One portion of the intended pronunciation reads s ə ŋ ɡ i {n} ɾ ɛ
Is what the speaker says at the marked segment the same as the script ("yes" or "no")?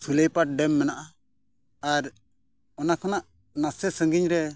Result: no